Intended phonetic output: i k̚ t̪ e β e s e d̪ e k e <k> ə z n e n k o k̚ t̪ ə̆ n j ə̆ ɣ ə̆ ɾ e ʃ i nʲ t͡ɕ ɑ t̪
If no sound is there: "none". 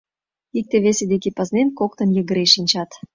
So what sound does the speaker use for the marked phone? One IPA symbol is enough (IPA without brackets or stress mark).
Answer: p